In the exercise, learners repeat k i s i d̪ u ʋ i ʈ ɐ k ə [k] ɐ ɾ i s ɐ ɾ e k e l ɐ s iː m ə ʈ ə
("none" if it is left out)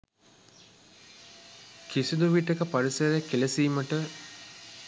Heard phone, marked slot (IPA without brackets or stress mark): p